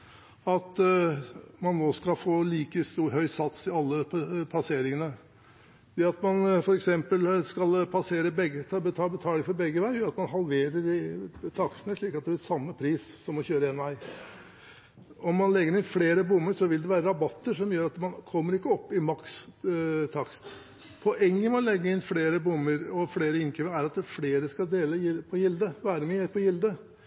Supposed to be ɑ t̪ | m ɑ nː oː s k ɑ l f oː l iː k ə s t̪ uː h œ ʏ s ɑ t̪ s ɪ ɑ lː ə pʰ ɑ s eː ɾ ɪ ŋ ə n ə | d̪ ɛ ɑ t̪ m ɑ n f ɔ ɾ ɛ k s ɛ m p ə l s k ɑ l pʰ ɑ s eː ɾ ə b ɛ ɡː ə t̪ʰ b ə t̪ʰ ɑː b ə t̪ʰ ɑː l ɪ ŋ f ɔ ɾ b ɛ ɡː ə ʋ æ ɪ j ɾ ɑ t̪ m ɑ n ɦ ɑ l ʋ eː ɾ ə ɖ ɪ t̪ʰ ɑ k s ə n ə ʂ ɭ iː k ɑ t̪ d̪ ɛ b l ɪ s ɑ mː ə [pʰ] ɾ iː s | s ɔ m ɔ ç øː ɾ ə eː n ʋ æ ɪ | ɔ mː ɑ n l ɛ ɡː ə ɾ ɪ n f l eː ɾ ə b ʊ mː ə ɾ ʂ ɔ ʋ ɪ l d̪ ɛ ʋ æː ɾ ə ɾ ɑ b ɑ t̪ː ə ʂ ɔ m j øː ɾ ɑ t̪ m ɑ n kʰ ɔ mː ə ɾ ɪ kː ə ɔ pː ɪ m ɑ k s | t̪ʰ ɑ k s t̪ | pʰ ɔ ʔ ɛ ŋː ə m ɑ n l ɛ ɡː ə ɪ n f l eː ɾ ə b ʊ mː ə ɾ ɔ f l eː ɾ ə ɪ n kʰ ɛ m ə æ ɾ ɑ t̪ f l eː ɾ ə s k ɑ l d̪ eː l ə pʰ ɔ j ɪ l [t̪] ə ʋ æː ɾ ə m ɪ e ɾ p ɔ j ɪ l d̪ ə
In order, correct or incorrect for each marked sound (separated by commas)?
correct, incorrect